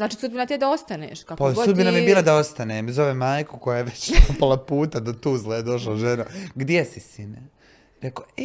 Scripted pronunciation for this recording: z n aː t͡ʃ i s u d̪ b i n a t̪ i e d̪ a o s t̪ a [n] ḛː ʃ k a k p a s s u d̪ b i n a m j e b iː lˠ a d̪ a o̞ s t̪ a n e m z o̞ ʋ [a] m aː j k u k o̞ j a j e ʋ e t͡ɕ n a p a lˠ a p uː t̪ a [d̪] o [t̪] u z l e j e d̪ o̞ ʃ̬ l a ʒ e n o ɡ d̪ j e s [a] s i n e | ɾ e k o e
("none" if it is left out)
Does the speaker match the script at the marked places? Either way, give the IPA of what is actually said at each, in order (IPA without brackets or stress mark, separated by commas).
n, e, d̪, t̪, i